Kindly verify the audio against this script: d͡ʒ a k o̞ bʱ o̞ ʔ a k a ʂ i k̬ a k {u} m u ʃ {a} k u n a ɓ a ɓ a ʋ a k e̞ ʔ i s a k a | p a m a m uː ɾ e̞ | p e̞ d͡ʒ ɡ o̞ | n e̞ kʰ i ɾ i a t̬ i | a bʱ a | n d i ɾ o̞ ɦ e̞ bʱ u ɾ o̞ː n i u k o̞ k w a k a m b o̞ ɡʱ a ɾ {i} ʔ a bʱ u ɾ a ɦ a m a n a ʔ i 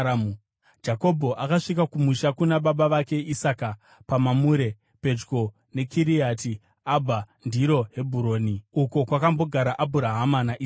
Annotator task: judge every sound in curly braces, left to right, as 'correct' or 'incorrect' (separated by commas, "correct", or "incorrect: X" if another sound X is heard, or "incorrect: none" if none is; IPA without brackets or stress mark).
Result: correct, correct, incorrect: a